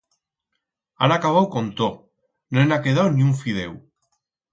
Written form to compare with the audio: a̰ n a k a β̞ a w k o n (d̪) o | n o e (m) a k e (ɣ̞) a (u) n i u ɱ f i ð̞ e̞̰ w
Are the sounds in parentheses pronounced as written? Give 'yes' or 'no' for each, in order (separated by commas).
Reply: no, no, no, no